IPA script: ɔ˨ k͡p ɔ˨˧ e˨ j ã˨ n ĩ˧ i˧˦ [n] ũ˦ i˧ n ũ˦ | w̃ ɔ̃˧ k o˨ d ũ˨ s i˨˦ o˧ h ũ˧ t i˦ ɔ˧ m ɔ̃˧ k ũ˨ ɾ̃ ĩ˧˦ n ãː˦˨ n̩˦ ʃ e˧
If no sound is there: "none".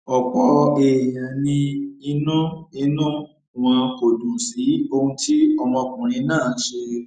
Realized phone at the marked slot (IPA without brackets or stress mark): n